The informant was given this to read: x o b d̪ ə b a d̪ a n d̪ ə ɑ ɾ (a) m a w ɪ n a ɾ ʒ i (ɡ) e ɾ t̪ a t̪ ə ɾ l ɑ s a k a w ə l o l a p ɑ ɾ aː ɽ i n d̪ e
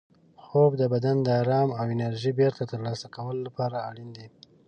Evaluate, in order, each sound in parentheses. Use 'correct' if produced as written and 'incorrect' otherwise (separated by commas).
incorrect, incorrect